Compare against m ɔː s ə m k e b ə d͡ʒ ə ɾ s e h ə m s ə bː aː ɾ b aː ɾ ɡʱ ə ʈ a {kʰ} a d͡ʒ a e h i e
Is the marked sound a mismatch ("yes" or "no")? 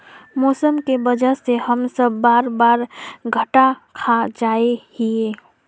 no